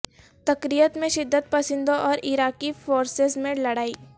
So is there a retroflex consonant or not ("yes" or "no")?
yes